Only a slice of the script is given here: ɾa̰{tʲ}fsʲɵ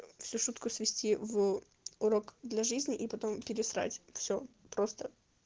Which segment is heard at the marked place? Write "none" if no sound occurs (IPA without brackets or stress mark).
tʲ